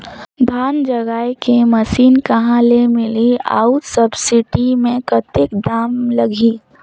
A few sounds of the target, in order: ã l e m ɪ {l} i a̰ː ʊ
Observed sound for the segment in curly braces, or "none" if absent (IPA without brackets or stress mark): l